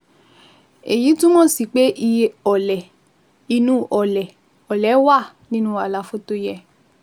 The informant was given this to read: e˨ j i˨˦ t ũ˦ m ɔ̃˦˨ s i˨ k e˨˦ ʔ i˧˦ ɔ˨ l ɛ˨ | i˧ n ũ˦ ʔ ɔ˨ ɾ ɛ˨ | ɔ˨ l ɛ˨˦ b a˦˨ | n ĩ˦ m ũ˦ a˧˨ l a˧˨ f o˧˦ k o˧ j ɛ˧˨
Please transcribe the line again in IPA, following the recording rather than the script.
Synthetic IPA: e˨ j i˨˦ t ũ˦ m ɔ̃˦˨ s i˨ k͡p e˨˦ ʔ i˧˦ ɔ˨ l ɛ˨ | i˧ n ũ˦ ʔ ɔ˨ l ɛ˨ | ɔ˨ l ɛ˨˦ w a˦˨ | n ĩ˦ n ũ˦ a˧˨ l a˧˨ f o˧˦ t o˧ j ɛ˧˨